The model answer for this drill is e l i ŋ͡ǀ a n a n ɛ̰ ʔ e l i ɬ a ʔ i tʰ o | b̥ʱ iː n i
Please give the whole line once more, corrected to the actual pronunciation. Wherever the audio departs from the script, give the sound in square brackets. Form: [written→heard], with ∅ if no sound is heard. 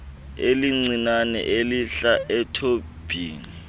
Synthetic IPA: e l i ŋ͡ǀ [a→i] n a n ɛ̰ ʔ e l i ɬ a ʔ [i→ɛ] tʰ o | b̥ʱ iː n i